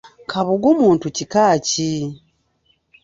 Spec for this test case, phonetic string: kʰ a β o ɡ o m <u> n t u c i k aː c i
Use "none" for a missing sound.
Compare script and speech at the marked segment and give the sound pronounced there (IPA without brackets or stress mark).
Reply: uː